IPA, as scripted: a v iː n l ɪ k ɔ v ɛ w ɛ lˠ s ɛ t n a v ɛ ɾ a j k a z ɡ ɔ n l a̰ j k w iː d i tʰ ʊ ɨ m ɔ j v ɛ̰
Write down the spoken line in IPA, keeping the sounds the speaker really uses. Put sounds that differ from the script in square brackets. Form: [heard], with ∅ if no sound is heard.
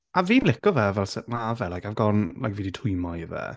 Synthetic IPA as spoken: a v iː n l ɪ k ɔ v ɛ [v] ɛ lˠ s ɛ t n a v ɛ [l] a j k a [v] ɡ ɔ n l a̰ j k [v] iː d i tʰ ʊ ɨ m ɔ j v ɛ̰